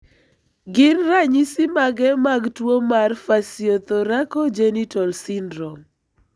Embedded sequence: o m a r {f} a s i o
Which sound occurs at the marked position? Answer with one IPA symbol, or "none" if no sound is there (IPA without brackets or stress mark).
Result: f